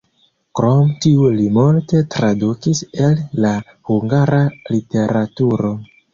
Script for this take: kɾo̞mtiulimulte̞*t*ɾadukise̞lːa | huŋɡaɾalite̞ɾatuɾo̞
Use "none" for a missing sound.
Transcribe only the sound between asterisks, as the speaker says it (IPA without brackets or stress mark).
t